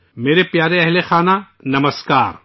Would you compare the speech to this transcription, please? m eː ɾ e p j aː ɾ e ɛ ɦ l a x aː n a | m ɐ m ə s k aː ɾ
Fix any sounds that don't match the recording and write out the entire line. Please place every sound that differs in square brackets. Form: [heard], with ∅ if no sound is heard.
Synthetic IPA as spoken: m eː ɾ e p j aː ɾ e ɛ ɦ l [e] x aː n a | [n] ɐ m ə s k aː ɾ